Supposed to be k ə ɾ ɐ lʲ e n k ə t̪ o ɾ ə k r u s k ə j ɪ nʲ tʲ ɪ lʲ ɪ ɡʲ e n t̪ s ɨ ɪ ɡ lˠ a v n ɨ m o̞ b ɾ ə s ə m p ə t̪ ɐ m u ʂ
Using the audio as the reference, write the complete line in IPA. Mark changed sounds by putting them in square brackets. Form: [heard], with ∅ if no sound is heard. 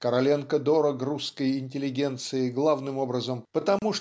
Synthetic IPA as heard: k ə ɾ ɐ lʲ e n k ə [d̪] o ɾ ə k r u s k ə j ɪ nʲ tʲ ɪ lʲ ɪ ɡʲ e n t̪ s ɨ ɪ ɡ lˠ a v n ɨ m o̞ b ɾ ə [z] ə m p ə t̪ ɐ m u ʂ

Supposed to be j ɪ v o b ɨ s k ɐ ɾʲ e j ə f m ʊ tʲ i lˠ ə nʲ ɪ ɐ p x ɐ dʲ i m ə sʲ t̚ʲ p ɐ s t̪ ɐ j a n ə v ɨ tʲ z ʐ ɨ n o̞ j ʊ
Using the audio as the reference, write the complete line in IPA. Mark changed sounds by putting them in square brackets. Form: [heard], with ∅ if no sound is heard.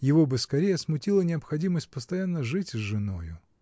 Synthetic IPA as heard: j ɪ v o b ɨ s k ɐ ɾʲ e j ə [s] m ʊ tʲ i lˠ ə nʲ ɪ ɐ p x ɐ dʲ i m ə sʲ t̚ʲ p [ə] s t̪ ɐ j a [nː] ə [ʐ] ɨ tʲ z ʐ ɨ n o̞ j ʊ

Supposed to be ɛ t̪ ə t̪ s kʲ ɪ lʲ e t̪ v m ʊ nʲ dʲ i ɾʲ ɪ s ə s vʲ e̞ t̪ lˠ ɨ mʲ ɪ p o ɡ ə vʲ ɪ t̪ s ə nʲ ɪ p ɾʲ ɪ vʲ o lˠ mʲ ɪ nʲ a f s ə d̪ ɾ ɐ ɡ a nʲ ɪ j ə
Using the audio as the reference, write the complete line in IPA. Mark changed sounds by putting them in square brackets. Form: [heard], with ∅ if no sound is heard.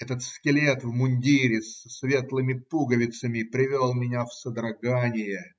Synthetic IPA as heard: ɛ t̪ ə t̪ s kʲ ɪ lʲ e t̪ v m ʊ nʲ dʲ i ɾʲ ɪ s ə s vʲ e̞ t̪ lˠ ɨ mʲ ɪ p [u] ɡ ə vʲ ɪ t̪ s ə [mʲ] ɪ p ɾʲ ɪ vʲ o lˠ mʲ ɪ nʲ a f s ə d̪ ɾ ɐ ɡ a nʲ ɪ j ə

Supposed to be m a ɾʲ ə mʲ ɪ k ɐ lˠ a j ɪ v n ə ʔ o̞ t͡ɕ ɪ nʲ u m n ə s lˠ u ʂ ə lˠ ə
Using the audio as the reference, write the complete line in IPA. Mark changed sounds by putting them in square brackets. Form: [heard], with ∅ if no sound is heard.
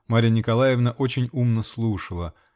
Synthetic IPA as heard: m a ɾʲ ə [nʲ] ɪ k ɐ lˠ a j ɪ v n ə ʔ o̞ t͡ɕ ɪ nʲ u m n ə s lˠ u ʂ ə lˠ ə

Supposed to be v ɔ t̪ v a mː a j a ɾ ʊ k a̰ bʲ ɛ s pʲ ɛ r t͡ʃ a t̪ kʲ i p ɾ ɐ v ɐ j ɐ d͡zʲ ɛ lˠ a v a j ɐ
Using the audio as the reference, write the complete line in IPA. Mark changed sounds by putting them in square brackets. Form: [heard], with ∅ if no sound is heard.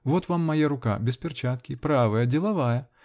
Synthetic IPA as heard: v ɔ t̪ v a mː a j a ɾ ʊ k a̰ bʲ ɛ s pʲ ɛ r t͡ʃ a t̪ kʲ i p ɾ [a] v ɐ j ɐ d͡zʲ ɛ lˠ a v a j ɐ

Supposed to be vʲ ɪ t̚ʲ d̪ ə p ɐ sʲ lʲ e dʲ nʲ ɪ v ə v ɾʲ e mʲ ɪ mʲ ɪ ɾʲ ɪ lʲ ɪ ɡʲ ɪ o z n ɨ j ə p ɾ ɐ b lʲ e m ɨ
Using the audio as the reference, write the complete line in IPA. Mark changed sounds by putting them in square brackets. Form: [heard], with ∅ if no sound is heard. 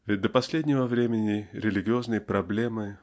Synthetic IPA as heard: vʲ ɪ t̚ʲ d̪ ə p ɐ sʲ lʲ e dʲ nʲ ɪ v ə v ɾʲ e mʲ ɪ [nʲ] ɪ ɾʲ ɪ lʲ ɪ ɡʲ ɪ o z n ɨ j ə p ɾ ɐ b lʲ e m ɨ

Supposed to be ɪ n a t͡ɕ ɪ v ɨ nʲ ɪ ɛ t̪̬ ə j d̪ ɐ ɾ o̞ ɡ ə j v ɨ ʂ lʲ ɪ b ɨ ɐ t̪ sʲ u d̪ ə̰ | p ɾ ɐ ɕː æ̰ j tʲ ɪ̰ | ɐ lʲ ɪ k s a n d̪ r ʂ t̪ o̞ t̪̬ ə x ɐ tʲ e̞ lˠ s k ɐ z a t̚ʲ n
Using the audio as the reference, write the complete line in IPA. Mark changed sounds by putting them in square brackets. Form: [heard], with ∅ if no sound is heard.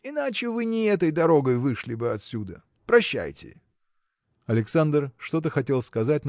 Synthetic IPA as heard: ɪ n a t͡ɕ ɪ v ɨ nʲ ɪ ɛ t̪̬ ə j d̪ ɐ ɾ o̞ ɡ ə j v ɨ ʂ lʲ ɪ b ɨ ɐ t̪ sʲ u d̪ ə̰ | p ɾ ɐ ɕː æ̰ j tʲ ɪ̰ | ɐ lʲ ɪ k s a n d̪ r ʂ t̪ o̞ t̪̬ ə x ɐ tʲ e̞ lˠ s k ɐ z a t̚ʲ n

